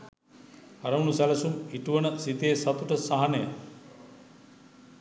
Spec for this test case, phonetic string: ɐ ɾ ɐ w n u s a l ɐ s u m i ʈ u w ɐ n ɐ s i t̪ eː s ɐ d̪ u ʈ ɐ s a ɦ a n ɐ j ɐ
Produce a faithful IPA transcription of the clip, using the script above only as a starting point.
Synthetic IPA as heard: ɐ ɾ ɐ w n u s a l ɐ s u m i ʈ u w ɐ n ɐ s i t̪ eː s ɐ t̪ u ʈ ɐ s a ɦ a n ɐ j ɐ